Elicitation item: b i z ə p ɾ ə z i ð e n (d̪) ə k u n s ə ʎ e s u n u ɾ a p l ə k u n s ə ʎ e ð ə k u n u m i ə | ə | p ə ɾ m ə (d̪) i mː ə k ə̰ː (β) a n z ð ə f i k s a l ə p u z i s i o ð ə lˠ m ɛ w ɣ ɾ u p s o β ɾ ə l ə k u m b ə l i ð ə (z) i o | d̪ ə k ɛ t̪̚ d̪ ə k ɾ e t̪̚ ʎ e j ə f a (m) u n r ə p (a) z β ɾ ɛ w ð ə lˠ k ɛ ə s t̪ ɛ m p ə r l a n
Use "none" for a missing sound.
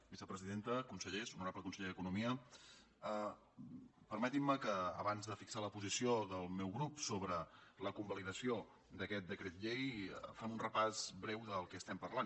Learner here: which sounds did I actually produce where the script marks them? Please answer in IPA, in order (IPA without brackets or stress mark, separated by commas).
t̪, t̪, β, s, m, a